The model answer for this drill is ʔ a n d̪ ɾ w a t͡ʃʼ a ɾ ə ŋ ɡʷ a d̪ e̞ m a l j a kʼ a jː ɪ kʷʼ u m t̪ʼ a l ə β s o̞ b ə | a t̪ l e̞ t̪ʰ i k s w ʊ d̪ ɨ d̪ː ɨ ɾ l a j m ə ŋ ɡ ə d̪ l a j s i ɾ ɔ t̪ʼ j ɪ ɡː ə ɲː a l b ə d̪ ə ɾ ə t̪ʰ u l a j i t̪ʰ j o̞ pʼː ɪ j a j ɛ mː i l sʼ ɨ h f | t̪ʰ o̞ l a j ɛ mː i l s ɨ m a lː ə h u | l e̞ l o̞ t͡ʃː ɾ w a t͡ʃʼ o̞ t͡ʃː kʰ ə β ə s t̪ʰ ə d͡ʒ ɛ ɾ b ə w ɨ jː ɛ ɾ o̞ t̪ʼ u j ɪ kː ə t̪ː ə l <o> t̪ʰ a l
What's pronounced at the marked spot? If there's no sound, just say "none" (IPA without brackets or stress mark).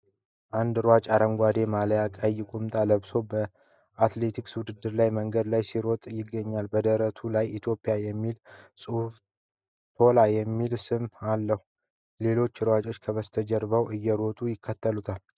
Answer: u